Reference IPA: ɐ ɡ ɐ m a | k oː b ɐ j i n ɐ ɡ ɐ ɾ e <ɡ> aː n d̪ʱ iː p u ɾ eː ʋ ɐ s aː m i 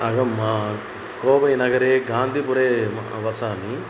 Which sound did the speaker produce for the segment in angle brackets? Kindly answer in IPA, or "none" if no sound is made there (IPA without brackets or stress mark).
ɡ